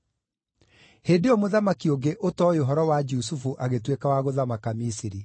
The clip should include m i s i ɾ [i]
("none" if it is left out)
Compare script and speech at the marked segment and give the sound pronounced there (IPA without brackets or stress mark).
i